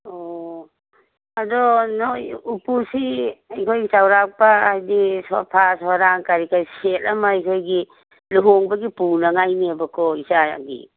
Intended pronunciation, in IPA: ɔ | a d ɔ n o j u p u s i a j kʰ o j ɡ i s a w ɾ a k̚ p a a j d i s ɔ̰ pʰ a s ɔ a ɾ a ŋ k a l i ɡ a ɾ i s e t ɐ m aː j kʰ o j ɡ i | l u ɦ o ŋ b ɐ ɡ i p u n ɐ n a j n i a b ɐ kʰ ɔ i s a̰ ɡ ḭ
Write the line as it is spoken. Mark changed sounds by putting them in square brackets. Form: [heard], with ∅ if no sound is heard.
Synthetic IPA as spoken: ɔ | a d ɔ n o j u p u s i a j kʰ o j ɡ i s a w ɾ a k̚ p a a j d i s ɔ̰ pʰ a s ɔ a ɾ a ŋ k a [ɾ] i [k] a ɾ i s e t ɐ m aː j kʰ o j ɡ i | l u ɦ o ŋ b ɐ ɡ i p u n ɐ [ŋ] a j n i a b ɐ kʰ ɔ i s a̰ ɡ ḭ

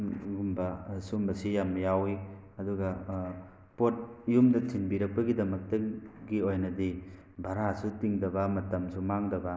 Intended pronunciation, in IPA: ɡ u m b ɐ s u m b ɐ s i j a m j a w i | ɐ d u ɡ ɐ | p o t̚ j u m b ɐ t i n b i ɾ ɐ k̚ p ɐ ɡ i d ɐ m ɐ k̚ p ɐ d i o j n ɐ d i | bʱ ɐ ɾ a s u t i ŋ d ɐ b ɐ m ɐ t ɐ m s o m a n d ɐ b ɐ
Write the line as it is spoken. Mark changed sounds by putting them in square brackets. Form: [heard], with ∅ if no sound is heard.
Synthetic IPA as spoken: ɡ u m b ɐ s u m b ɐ s i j a m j a w i | ɐ d u ɡ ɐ | p o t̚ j u m [d] ɐ [tʰ] i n b i ɾ ɐ k̚ p ɐ ɡ i d ɐ m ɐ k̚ [t] ɐ [ɡ] i o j n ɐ d i | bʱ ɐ ɾ a s u t i ŋ d ɐ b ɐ m ɐ t ɐ m s [u] m a [ŋ] d ɐ b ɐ

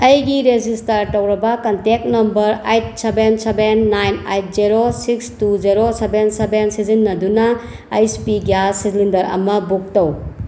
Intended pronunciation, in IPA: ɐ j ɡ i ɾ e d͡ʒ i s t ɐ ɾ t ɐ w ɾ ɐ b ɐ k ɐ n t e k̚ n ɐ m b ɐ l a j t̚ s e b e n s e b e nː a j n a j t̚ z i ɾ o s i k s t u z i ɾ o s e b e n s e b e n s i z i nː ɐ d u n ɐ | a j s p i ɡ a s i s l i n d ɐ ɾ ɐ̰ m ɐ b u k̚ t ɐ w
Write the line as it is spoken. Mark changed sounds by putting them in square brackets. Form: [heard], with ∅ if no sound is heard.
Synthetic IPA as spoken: ɐ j ɡ i ɾ e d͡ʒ i s t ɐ ɾ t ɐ w ɾ ɐ b ɐ k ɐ n t e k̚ n ɐ m b ɐ [ɾ] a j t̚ s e b e n s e b e nː a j n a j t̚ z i ɾ o s i k s t u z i ɾ o s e b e n s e b e n s i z i nː ɐ d u n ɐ | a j s p i ɡ a s i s l i n d ɐ ɾ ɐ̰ m ɐ b u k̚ t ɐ w

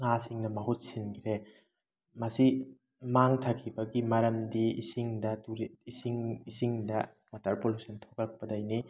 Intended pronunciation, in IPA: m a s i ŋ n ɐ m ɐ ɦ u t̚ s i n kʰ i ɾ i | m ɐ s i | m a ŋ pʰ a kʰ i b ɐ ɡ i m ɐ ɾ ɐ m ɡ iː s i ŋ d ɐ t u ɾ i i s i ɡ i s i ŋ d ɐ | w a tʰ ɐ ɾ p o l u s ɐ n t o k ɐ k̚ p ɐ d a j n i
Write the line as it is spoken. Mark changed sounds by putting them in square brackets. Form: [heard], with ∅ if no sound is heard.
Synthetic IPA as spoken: [ŋ] a s i ŋ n ɐ m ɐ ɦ u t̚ s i n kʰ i ɾ [e] | m ɐ s i | m a ŋ [tʰ] a kʰ i b ɐ ɡ i m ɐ ɾ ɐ m [d] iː s i ŋ d ɐ t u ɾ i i s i [ŋ] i s i ŋ d ɐ | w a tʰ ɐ ɾ p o l u s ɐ n [tʰ] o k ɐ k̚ p ɐ d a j n i

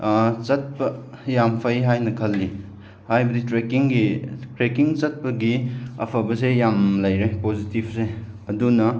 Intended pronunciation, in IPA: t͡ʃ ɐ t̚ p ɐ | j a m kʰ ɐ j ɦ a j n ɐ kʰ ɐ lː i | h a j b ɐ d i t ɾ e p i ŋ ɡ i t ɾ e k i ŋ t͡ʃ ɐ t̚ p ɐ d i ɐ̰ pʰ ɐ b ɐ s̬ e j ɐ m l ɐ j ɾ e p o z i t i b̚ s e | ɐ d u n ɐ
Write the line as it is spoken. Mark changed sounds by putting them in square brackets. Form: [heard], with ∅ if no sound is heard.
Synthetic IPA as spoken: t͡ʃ ɐ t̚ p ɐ | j a m [pʰ] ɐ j ɦ a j n ɐ kʰ ɐ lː i | h a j b ɐ d i t ɾ e [k] i ŋ ɡ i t ɾ e k i ŋ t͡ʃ ɐ t̚ p ɐ [ɡ] i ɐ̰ pʰ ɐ b ɐ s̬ e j [a] m l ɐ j ɾ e p o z i t i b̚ s e | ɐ d u n ɐ

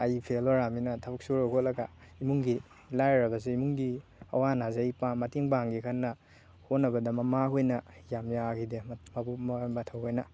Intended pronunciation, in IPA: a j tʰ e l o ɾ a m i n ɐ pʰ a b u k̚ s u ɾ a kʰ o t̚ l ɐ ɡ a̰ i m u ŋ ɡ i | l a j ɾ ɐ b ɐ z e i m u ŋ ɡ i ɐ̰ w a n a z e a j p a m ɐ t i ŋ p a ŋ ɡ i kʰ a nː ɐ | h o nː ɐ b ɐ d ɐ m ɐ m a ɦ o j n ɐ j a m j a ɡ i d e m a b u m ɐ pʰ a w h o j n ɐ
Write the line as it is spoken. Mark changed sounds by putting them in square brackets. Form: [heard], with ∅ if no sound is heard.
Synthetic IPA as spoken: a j [pʰ] e l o ɾ a m i n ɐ [tʰ] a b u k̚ s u ɾ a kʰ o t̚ l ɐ ɡ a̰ i m u ŋ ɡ i | l a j ɾ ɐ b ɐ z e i m u ŋ ɡ i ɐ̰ w a n a z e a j p a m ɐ t i ŋ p a ŋ ɡ i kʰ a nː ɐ | h o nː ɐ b ɐ d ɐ m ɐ m a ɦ o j n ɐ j a m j a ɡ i d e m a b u m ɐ [tʰ] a w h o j n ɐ

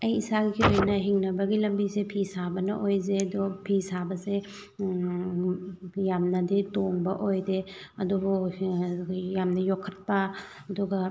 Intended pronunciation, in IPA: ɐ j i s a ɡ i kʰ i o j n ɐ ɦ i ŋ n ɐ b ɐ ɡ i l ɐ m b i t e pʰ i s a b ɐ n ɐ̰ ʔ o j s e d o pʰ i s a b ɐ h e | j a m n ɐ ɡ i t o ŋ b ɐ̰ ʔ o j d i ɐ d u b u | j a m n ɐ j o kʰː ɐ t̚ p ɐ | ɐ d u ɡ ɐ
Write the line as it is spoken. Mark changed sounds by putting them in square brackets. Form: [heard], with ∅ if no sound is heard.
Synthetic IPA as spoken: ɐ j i s a ɡ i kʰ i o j n ɐ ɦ i ŋ n ɐ b ɐ ɡ i l ɐ m b i [s] e pʰ i s a b ɐ n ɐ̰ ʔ o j [z] e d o pʰ i s a b ɐ [s] e | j a m n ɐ [d] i t o ŋ b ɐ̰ ʔ o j d [e] ɐ d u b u | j a m n ɐ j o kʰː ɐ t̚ p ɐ | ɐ d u ɡ ɐ

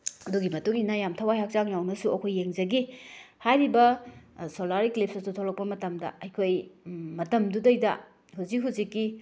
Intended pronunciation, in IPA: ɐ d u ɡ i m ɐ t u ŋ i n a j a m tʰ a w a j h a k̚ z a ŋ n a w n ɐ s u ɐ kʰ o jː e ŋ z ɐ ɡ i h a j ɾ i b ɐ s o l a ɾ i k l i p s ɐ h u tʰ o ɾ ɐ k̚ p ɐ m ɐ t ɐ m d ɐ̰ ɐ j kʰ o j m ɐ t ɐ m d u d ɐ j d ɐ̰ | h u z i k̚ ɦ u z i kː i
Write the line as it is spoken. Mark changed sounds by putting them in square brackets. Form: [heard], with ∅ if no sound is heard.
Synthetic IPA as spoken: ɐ d u ɡ i m ɐ t u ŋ i n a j a m tʰ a w a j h a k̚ z a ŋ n a w n ɐ s u ɐ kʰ o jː e ŋ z ɐ ɡ i h a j ɾ i b ɐ s o l a ɾ i k l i p s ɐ [s] u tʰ o [l] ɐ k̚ p ɐ m ɐ t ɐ m d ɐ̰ ɐ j kʰ o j m ɐ t ɐ m d u d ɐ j d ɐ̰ | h u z i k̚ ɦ u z i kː i

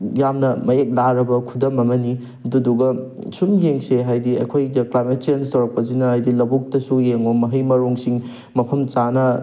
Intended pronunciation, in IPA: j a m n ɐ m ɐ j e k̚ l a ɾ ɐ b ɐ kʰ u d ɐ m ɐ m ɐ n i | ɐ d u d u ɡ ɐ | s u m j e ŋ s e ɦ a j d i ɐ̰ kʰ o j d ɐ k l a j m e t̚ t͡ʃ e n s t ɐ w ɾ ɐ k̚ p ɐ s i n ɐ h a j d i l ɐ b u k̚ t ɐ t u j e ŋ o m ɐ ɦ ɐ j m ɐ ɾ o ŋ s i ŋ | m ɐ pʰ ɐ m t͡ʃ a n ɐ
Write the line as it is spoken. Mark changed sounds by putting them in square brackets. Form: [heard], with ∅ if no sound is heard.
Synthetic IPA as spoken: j a m n ɐ m ɐ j e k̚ l a ɾ ɐ b ɐ kʰ u d ɐ m ɐ m ɐ n i | ɐ d u d u ɡ ɐ | s u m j e ŋ s e ɦ a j d i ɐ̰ kʰ o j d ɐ k l a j m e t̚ t͡ʃ e n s t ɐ w ɾ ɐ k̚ p ɐ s i n ɐ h a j d i l ɐ b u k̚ t ɐ [s] u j e ŋ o m ɐ ɦ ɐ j m ɐ ɾ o ŋ s i ŋ | m ɐ pʰ ɐ m t͡ʃ a n ɐ

